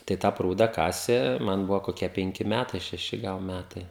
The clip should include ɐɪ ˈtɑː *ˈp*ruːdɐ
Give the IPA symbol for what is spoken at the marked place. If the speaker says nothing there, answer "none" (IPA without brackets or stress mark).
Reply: p